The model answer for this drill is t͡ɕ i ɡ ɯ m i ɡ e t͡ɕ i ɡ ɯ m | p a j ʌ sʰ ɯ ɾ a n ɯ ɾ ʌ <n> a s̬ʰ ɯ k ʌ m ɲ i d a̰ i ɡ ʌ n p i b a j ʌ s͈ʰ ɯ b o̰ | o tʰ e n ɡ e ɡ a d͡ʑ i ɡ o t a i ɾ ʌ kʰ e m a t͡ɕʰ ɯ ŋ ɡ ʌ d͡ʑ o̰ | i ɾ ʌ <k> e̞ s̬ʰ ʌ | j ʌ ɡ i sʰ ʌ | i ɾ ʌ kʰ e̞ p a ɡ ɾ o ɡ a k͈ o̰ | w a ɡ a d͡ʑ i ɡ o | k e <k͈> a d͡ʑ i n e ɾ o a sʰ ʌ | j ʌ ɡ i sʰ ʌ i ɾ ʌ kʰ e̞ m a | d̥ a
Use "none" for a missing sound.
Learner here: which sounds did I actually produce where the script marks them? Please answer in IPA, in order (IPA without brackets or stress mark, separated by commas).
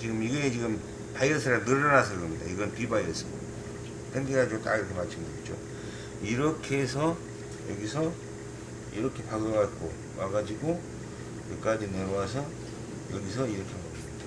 n, kʰ, k͈